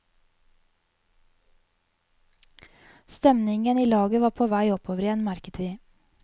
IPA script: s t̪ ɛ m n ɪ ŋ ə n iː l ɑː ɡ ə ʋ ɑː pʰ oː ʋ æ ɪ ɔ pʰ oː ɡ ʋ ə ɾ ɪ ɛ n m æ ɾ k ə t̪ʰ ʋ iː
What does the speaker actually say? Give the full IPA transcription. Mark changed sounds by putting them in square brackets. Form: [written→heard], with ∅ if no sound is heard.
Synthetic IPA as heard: s t̪ ɛ m n ɪ ŋ ə n iː l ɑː ɡ ə ʋ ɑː pʰ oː ʋ æ ɪ ɔ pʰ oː [ɡ→∅] ʋ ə ɾ ɪ ɛ n m æ ɾ k ə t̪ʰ ʋ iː